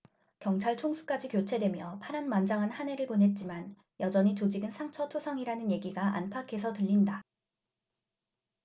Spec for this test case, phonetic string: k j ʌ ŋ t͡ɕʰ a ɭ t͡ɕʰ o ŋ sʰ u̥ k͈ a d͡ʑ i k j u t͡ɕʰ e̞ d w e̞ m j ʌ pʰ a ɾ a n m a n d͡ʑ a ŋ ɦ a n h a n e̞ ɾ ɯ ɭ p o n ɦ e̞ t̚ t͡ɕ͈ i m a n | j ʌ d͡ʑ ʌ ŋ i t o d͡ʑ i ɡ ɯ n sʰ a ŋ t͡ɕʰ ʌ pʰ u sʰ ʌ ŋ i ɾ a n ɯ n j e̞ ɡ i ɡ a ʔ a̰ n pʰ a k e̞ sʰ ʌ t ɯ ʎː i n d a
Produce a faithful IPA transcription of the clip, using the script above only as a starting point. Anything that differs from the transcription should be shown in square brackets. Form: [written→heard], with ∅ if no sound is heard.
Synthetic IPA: k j ʌ ŋ t͡ɕʰ a ɭ t͡ɕʰ o ŋ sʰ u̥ k͈ a d͡ʑ i k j [u→o] t͡ɕʰ e̞ d w e̞ m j ʌ pʰ a ɾ a n m a n d͡ʑ a ŋ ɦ a n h a n e̞ ɾ ɯ ɭ p o n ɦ e̞ t̚ t͡ɕ͈ i m a n | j ʌ d͡ʑ ʌ [ŋ→ɲ] i [t→t͡ɕ] o d͡ʑ i ɡ ɯ n sʰ a ŋ t͡ɕʰ ʌ [pʰ→tʰ] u sʰ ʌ ŋ i ɾ a n ɯ n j e̞ ɡ i ɡ a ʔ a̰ n pʰ a [k→kʰ] e̞ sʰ ʌ t ɯ ʎː i n d a